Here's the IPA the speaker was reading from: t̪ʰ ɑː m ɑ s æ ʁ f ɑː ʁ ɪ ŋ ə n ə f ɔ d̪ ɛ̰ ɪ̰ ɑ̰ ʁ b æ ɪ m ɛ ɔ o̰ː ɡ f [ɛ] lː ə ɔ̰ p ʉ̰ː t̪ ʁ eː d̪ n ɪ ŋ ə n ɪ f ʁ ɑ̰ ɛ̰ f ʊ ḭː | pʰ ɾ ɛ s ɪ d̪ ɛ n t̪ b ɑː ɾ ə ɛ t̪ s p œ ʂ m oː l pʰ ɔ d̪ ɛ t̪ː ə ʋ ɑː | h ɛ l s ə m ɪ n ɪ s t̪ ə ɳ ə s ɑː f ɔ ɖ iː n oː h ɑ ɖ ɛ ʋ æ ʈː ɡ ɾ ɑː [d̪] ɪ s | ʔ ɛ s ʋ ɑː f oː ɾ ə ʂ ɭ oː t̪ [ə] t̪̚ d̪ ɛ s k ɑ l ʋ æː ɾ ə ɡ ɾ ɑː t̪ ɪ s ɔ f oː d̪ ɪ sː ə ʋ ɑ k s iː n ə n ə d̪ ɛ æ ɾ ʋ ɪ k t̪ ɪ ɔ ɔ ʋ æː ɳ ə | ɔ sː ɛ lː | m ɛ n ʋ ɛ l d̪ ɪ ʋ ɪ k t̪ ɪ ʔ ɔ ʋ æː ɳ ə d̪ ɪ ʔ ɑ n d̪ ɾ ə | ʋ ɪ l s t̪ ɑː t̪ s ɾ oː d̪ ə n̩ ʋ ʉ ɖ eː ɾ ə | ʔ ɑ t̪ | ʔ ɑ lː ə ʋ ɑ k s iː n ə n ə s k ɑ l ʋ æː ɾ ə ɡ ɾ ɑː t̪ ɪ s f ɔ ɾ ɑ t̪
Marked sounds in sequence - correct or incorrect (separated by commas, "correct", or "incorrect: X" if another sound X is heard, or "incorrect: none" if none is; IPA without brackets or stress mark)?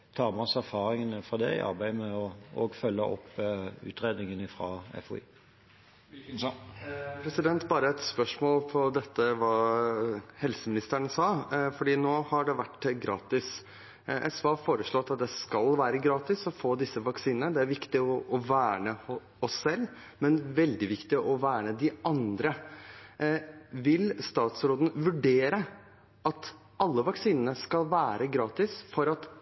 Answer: incorrect: œ, incorrect: t̪, incorrect: ɑ